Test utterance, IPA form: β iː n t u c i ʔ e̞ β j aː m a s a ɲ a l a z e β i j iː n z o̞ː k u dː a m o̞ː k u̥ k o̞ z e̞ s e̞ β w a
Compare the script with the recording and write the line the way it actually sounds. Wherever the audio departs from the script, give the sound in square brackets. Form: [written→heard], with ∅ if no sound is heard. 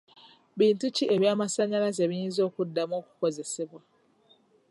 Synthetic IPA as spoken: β iː n t u c i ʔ e̞ β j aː m a s a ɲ a l a z e β i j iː n z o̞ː k u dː a m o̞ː k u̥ k o̞ z e̞ s e̞ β w a

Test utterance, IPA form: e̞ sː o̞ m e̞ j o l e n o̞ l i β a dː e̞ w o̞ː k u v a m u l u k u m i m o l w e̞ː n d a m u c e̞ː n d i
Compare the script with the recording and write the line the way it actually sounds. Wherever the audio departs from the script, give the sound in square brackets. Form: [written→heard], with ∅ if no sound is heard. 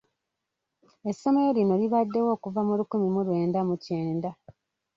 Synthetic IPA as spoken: e̞ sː o̞ m e̞ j o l [e→i] n o̞ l i β a dː e̞ w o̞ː k u v a m u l u k u m i m [o→u] l w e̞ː n d a m u c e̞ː n d [i→a]

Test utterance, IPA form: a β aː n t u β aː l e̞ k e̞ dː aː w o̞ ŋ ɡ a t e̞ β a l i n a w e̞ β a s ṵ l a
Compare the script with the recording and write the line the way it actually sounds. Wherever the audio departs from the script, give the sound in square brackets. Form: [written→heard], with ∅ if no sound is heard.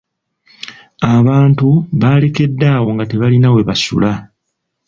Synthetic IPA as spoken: a β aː n t u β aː l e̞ k e̞ dː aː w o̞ ŋ ɡ a t e̞ β a l i n a w e̞ β a s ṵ l a

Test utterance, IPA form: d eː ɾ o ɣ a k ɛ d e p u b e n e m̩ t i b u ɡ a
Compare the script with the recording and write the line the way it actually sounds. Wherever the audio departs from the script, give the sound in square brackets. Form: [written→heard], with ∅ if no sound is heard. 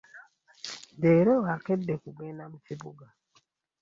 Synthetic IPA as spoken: d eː ɾ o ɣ a k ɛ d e [p→k] u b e n [e→a] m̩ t i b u ɡ a

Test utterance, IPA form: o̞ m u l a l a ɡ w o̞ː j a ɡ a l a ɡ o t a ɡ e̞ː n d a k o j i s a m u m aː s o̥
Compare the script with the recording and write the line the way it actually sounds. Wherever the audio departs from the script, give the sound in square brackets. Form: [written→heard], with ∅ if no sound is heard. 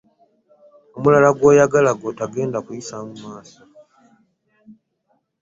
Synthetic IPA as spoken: o̞ m u l a l a ɡ w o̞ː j a ɡ a l a ɡ o t a ɡ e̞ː n d a k [o→u] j i s a m u m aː s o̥

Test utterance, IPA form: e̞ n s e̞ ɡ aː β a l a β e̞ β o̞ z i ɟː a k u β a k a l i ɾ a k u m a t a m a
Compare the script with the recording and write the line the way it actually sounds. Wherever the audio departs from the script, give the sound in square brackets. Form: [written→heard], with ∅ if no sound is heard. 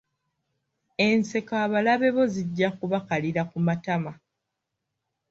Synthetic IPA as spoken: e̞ n s e̞ [ɡ→k] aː β a l a β e̞ β o̞ z i ɟː a k u β a k a l i ɾ a k u m a t a m a

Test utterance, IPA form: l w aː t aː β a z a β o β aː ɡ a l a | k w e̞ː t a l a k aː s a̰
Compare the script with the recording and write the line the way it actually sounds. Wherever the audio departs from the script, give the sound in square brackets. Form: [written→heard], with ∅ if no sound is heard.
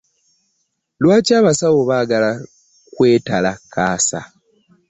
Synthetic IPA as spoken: l w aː [t→c] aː β a [z→s] a [β→w] o β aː ɡ a l a | k w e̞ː t a l a k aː s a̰

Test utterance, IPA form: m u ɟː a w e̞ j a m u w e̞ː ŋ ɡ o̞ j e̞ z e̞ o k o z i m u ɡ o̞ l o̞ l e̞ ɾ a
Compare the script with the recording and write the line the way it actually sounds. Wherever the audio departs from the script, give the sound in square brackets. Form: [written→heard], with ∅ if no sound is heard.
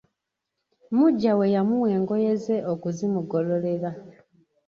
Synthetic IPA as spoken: m u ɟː a w e̞ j a m u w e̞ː ŋ ɡ o̞ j e̞ z e̞ o k [o→u] z i m u ɡ o̞ l o̞ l e̞ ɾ a

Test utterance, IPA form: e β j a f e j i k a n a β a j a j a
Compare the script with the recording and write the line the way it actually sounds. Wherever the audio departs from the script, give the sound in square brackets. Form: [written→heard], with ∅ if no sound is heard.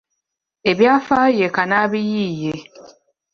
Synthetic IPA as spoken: e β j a f [e→a] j [i→e] k a n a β [a→i] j [a→i] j [a→e]

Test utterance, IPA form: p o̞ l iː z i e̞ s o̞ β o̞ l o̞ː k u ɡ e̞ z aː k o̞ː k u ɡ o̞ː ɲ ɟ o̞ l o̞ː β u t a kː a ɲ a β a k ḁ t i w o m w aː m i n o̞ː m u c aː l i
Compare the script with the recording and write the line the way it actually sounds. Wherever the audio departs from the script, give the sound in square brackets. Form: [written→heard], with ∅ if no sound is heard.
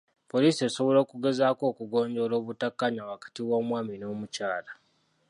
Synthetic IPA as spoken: p o̞ l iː [z→s] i e̞ s o̞ β o̞ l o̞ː k u ɡ e̞ z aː k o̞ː k u ɡ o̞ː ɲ ɟ o̞ l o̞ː β u t a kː a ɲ a [β→w] a k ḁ t i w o m w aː m i n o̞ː m u c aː l [i→a]

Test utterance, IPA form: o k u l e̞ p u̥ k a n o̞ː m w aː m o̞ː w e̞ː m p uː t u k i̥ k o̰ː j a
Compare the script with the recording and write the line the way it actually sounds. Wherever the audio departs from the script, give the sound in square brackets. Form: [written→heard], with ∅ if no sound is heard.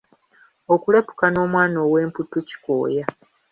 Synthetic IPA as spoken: o k u l e̞ p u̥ k a n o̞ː m w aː [m→n] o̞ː w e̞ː m p [uː→u] t u [k→c] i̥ k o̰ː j a

